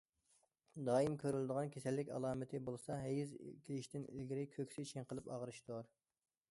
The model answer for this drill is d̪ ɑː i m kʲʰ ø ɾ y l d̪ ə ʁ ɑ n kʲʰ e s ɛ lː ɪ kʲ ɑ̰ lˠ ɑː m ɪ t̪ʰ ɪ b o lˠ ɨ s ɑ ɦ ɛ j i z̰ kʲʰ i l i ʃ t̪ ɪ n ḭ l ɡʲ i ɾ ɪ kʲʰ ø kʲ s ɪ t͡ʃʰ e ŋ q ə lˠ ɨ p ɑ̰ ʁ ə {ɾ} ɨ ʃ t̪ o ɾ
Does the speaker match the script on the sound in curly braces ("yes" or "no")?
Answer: yes